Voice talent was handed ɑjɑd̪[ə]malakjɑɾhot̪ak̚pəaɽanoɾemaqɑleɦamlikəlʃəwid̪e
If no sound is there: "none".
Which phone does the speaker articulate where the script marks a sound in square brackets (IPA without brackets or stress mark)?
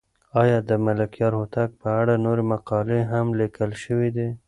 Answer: ə